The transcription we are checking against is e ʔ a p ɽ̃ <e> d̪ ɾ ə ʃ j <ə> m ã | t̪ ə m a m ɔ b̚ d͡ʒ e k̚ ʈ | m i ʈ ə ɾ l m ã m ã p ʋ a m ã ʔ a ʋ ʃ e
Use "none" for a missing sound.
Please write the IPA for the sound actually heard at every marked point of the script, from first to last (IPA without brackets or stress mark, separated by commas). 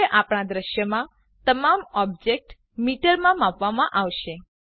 a, ə